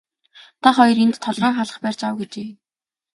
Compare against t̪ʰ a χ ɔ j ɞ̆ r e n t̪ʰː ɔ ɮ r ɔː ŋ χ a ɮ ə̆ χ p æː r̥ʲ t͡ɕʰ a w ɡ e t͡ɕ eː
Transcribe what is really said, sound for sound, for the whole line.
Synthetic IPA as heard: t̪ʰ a χ ɔ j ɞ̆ r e n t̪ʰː ɔ ɮ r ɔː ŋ χ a ɮ ə̆ χ p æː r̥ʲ t͡ɕ a w ɡ e t͡ɕ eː